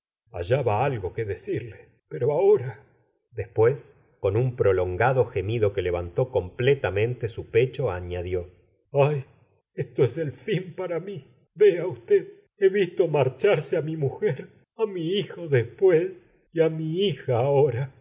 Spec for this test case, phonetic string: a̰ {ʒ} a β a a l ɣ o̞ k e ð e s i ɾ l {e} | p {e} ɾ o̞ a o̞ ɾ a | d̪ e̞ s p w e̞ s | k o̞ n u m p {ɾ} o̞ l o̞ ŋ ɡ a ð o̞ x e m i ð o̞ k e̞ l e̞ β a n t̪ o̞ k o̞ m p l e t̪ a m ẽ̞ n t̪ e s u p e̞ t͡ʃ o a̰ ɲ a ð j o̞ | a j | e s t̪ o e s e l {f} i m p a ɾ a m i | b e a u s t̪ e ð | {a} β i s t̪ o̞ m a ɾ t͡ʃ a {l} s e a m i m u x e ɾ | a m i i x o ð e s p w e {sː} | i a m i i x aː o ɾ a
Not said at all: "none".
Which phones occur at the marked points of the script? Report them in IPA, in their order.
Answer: ʒ, e, e, ɾ, f, e, ɾ, s

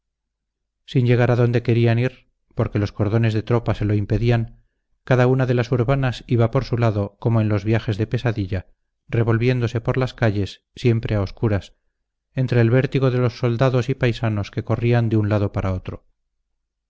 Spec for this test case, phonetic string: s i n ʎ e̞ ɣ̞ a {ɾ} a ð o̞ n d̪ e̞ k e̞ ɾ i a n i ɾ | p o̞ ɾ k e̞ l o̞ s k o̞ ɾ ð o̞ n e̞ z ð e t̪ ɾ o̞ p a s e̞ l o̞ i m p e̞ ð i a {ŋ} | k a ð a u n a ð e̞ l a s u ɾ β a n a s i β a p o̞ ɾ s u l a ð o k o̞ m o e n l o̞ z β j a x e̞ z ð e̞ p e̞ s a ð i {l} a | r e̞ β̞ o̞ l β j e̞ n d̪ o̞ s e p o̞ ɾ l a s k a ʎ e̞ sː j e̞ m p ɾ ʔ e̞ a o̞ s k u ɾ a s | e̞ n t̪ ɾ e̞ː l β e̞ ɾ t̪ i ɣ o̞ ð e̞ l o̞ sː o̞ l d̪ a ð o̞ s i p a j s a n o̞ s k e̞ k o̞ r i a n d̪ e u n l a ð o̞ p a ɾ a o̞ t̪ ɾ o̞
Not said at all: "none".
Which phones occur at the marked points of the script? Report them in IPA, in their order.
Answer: ɾ, ŋ, ʎ

